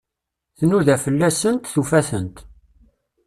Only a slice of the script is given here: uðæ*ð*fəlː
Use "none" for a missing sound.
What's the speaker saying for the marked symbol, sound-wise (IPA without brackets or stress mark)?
none